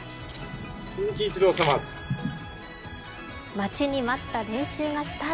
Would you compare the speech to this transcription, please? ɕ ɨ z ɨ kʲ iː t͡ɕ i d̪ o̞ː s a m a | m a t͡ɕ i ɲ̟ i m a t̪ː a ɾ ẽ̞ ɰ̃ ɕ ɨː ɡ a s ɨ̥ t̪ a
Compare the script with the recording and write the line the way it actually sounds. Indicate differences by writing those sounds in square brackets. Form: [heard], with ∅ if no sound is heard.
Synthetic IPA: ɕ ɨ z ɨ kʲ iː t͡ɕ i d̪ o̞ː s a m a | m a t͡ɕ i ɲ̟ i m a t̪ː a ɾ ẽ̞ ɰ̃ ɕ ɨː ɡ a s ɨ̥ t̪ a